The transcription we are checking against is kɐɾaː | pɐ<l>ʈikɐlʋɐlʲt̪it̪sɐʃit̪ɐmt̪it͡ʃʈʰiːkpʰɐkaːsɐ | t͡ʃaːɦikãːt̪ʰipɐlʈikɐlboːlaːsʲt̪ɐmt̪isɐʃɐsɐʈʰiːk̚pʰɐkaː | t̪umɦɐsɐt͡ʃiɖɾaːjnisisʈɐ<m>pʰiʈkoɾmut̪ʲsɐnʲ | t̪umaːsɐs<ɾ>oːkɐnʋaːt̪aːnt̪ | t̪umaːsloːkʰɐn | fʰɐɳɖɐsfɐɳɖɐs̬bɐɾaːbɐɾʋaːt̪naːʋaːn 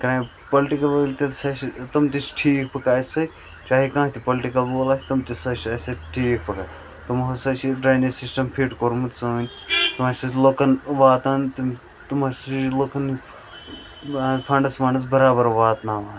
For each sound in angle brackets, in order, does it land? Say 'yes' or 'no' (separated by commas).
yes, yes, no